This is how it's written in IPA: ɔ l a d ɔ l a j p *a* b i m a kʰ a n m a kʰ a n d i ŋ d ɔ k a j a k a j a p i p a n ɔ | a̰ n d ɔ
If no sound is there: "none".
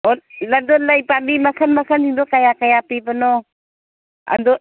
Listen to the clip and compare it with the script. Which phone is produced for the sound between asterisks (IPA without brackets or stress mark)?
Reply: a